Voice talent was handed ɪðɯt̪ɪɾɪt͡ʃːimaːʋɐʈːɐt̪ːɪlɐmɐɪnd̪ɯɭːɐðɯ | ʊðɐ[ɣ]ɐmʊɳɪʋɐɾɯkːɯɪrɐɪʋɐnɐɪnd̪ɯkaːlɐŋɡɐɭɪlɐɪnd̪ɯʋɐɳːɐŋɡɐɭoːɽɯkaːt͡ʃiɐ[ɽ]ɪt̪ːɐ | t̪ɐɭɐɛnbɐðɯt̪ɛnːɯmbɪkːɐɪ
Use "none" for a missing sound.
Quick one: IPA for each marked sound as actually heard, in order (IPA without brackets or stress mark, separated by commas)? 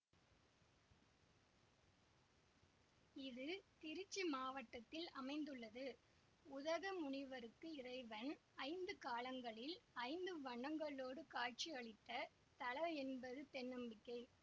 ɣ, ɭ